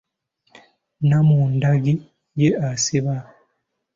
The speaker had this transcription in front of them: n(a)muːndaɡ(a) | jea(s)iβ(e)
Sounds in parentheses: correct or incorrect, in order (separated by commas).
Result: correct, incorrect, correct, incorrect